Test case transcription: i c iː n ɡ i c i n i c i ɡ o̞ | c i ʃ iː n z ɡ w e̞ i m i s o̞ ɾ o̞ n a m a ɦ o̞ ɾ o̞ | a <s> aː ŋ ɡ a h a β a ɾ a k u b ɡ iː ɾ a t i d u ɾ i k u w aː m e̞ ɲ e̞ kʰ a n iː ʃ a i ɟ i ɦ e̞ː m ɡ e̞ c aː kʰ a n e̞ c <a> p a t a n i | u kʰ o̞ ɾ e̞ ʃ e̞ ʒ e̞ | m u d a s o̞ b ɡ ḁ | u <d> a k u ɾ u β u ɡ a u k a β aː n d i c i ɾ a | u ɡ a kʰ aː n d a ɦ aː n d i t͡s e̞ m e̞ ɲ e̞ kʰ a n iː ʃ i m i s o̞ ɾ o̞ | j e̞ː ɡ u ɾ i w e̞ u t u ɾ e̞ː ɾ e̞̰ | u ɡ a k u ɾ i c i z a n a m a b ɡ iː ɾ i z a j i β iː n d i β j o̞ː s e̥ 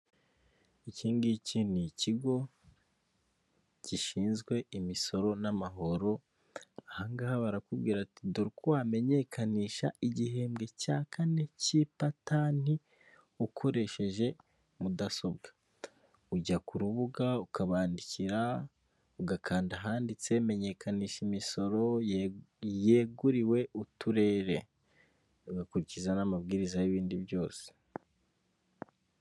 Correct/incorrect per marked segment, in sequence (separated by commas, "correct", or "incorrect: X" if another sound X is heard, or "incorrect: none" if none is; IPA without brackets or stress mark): incorrect: h, incorrect: i, incorrect: ɟ